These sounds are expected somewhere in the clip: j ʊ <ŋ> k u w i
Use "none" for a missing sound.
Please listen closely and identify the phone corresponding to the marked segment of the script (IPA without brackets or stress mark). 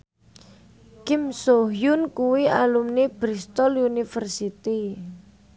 n